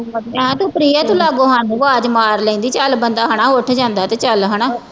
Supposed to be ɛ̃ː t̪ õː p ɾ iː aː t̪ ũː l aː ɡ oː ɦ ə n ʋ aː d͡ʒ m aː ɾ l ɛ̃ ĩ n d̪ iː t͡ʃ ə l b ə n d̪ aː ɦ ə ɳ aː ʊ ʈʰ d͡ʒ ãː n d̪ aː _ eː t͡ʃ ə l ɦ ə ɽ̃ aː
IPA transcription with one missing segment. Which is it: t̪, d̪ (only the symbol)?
t̪